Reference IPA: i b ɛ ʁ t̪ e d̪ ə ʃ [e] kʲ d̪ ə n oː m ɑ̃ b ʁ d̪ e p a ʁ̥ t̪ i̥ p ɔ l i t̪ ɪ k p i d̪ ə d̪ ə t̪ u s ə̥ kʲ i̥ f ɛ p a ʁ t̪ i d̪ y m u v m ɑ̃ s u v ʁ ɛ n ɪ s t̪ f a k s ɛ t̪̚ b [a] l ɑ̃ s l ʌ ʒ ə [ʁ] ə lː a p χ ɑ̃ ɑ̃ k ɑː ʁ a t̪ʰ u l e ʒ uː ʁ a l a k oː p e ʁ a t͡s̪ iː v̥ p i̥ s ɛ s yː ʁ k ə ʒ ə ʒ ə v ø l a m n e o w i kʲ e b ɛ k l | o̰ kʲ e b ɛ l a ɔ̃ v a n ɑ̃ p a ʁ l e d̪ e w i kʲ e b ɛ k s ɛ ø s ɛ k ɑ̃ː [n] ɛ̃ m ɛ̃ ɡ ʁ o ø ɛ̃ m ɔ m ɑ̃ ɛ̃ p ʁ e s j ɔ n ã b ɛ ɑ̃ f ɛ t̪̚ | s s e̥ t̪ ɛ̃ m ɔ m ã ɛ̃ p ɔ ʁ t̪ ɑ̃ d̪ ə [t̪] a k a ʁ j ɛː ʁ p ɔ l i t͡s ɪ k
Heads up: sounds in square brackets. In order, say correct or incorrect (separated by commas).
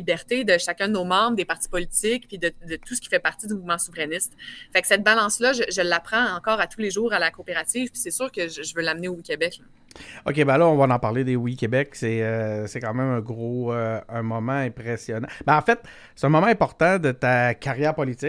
incorrect, correct, incorrect, incorrect, correct